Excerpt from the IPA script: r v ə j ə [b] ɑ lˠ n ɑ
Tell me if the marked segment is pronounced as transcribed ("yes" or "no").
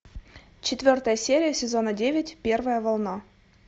no